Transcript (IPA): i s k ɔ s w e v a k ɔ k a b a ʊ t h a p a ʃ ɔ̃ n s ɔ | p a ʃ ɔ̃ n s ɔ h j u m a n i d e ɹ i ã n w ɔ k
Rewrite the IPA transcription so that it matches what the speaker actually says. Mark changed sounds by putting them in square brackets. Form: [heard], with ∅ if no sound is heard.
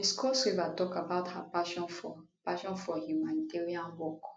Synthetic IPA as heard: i s k ɔ s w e v a [t] ɔ k a b a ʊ t h a p a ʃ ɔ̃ n [f] ɔ | p a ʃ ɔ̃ n [f] ɔ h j u m a n i [t] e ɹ i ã n w ɔ k